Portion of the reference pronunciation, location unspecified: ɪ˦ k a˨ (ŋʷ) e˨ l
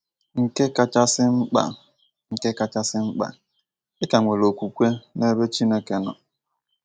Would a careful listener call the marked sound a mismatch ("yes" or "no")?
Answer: no